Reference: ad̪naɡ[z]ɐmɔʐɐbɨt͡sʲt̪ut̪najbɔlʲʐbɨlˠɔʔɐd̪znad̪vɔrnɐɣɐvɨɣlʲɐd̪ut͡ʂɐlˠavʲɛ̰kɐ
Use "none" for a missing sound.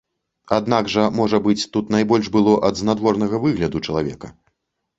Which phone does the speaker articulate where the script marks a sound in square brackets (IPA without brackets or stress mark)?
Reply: ʐ